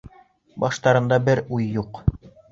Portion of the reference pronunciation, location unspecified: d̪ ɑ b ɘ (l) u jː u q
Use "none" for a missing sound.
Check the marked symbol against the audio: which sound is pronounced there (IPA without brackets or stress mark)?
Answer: ɾ